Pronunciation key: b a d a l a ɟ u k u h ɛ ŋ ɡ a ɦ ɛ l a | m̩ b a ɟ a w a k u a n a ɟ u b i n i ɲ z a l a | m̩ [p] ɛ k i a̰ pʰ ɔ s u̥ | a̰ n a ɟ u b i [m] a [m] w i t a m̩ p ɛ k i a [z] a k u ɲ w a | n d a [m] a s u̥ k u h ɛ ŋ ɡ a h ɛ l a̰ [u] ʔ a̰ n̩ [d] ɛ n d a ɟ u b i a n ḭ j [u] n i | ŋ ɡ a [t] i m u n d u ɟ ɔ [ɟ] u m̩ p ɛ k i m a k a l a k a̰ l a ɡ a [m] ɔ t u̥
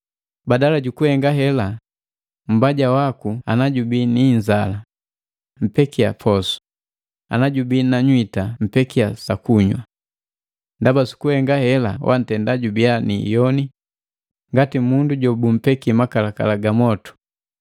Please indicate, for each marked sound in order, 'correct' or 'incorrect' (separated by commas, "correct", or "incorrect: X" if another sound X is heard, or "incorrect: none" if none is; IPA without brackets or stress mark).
correct, incorrect: n, incorrect: ɲ, incorrect: s, incorrect: b, incorrect: w, incorrect: t, incorrect: ɔ, correct, incorrect: b, correct